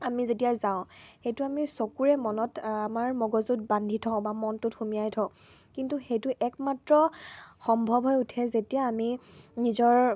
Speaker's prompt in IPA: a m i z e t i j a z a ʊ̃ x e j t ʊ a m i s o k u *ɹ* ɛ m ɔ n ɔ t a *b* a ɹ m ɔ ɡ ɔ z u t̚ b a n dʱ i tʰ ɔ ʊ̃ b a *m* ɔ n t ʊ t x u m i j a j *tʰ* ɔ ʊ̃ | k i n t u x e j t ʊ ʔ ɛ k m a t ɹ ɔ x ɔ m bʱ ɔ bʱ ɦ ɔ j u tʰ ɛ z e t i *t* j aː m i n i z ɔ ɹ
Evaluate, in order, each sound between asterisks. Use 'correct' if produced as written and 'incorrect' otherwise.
correct, incorrect: m, correct, correct, incorrect: none

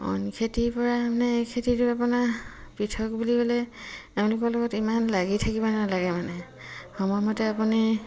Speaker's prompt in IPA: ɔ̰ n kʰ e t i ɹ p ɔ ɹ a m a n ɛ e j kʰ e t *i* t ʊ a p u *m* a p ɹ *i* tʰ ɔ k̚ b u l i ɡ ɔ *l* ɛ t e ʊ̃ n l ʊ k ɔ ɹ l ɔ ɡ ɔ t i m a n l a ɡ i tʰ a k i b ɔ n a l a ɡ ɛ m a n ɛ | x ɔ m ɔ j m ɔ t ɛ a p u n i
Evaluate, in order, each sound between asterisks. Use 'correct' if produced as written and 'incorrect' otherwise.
correct, incorrect: n, correct, correct

